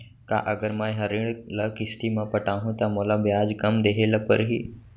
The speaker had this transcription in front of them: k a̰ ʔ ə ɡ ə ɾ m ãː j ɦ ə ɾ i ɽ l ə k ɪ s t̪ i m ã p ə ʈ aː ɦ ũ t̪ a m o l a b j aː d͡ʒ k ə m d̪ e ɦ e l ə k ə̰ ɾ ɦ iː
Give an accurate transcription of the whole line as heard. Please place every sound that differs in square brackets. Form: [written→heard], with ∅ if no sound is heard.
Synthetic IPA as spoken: k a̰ ʔ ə ɡ ə ɾ m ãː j ɦ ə ɾ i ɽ l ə k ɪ s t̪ i m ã p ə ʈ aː ɦ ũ t̪ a m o l a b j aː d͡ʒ k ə m d̪ e ɦ e l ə [k→p] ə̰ ɾ ɦ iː